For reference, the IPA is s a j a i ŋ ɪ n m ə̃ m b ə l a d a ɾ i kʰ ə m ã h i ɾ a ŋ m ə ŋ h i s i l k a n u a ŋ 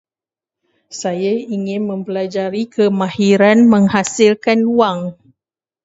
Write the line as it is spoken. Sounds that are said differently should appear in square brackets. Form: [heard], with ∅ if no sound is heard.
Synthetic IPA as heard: s a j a i ŋ ɪ n m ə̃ m [p] ə l a [d͡ʒ] a ɾ i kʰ ə m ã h i ɾ a [n] m ə ŋ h [a] s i l k a n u a ŋ